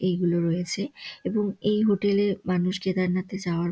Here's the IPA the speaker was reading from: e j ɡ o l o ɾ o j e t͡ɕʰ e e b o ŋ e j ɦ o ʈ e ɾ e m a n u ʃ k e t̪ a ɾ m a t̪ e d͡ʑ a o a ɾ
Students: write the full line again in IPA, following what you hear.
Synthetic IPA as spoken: e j ɡ u l o ɾ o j e t͡ɕʰ e e b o ŋ e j ɦ o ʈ e l e m a n u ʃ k e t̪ a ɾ n a t̪ e d͡ʑ a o a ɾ